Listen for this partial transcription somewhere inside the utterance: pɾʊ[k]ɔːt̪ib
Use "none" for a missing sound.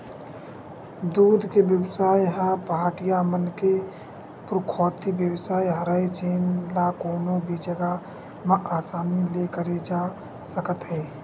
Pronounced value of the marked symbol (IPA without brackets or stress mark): kʰ